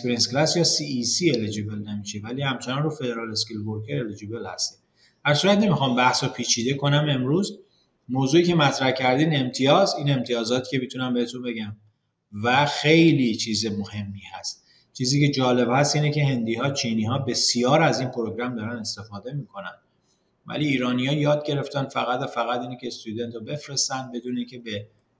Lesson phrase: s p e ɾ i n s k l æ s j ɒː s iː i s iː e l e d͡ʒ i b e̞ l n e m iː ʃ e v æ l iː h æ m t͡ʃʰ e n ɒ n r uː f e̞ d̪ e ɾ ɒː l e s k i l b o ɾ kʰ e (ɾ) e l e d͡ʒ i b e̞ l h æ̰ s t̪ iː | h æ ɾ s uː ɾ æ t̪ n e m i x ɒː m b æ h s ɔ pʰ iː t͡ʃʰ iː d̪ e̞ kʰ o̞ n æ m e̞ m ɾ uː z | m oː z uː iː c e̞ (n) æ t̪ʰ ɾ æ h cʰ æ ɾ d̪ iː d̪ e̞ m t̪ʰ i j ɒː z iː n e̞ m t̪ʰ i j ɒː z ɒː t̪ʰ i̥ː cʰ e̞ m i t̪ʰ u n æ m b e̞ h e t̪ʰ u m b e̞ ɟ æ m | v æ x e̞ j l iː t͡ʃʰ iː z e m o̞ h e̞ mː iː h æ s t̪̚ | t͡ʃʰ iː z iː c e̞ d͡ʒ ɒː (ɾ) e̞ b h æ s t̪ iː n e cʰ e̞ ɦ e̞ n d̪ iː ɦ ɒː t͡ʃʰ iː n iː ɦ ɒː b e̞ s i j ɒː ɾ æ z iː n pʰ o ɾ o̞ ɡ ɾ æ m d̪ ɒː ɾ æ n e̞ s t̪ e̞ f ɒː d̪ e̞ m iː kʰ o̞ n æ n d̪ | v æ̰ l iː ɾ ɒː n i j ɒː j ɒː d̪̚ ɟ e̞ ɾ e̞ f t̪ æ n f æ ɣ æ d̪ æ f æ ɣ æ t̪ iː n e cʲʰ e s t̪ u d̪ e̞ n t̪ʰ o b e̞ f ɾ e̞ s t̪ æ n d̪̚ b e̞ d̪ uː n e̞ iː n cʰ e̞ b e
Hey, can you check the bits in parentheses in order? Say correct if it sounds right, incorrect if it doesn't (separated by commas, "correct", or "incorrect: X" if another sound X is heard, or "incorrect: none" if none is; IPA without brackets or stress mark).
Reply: correct, incorrect: m, incorrect: l